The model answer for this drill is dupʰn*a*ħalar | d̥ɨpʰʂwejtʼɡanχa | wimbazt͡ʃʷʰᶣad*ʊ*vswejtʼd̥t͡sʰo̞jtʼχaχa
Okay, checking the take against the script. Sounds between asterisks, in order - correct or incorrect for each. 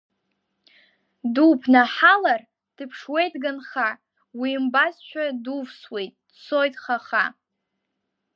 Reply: correct, incorrect: u

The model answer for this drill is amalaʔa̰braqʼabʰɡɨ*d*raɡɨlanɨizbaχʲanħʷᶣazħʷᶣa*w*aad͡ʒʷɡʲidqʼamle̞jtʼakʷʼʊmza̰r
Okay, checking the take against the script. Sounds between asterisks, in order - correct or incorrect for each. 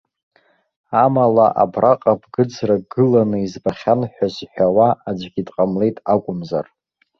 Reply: incorrect: d͡z, correct

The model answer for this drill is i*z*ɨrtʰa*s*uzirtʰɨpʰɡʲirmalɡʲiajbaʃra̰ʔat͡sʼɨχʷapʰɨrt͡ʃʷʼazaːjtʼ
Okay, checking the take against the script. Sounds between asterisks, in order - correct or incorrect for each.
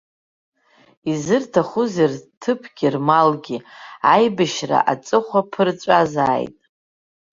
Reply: correct, incorrect: χ

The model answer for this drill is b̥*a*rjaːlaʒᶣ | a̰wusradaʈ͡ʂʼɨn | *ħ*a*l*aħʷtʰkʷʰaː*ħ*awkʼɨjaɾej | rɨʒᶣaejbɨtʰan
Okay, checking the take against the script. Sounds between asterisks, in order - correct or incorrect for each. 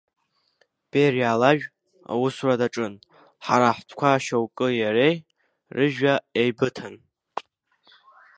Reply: incorrect: e, correct, incorrect: ɾ, incorrect: ʃ

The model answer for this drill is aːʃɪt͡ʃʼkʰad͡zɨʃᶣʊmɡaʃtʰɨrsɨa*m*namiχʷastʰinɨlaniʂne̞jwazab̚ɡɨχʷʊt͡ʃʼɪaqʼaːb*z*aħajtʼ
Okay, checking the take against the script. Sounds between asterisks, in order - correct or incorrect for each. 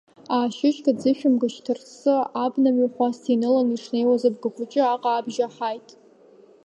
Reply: incorrect: b, incorrect: ʒ

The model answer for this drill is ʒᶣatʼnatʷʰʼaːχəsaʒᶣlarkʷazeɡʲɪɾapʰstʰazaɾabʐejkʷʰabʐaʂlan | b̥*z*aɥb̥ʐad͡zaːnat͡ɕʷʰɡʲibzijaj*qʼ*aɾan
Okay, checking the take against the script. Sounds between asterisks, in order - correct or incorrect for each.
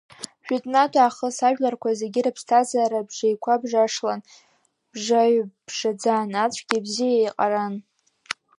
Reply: incorrect: ʐ, correct

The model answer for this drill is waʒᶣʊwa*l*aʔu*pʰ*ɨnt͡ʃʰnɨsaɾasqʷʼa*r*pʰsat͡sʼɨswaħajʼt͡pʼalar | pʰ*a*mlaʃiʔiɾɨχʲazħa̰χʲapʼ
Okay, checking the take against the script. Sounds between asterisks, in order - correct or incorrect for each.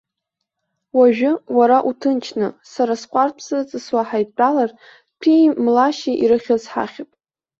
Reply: incorrect: ɾ, incorrect: tʰ, correct, incorrect: i

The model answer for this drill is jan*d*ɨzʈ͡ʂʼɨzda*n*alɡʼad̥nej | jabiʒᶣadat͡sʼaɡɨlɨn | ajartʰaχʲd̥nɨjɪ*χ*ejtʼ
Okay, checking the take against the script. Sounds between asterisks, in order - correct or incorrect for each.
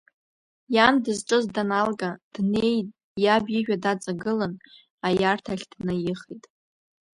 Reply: correct, correct, correct

